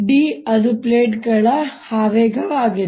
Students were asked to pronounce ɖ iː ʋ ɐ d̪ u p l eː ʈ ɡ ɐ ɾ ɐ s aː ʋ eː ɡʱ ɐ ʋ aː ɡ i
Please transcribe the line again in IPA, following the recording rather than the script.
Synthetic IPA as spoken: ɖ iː ɐ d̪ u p l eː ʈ ɡ ɐ ɭ ɐ h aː ʋ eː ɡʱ ɐ ʋ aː ɡ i